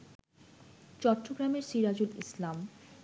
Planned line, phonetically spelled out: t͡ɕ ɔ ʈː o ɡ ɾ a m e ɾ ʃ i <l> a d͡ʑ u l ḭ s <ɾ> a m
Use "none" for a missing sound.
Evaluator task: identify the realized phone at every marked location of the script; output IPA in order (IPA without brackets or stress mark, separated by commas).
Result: ɾ, l